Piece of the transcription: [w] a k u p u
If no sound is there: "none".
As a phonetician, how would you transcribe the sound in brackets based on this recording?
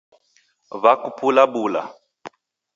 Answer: β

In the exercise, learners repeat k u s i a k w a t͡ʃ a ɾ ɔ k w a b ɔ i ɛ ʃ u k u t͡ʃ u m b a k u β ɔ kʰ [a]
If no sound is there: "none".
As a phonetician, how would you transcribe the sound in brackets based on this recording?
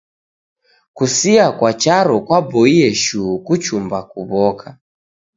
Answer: a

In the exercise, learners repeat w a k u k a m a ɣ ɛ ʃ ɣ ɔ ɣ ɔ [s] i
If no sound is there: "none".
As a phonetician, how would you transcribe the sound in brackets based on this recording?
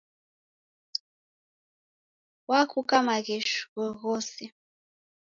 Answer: s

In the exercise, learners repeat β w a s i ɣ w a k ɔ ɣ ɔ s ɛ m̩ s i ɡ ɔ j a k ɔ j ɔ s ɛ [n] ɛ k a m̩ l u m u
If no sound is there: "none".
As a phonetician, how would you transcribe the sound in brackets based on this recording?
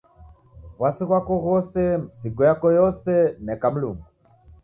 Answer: n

